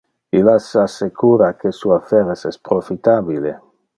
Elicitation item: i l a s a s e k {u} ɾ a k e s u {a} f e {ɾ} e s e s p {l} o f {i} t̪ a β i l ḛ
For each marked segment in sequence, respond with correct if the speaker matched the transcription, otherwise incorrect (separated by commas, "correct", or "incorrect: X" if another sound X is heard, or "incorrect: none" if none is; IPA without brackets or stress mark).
correct, correct, correct, incorrect: ɾ, correct